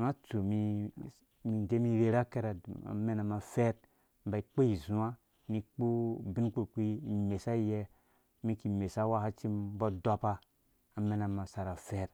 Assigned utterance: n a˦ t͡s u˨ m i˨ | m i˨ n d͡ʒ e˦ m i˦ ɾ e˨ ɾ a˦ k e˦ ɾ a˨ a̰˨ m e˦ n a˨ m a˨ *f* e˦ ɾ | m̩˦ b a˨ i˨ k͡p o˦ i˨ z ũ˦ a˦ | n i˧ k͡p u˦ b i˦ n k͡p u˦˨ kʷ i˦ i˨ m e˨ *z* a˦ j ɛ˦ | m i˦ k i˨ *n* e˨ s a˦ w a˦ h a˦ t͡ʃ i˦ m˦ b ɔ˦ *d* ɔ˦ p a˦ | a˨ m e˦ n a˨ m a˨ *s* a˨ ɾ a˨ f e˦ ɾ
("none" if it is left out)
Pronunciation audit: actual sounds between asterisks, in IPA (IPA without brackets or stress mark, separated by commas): f, s, m, d, s